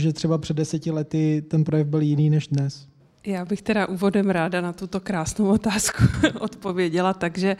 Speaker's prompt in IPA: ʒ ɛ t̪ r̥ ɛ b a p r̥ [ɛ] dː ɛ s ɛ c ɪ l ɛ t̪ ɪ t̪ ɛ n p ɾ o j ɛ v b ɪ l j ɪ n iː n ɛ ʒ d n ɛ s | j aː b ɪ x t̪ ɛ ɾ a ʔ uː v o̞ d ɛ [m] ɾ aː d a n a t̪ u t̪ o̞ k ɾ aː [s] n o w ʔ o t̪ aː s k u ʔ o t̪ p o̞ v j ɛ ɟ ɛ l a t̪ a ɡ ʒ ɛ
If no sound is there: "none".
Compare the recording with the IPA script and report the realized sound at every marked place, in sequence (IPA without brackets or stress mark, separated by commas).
ɛ, m, s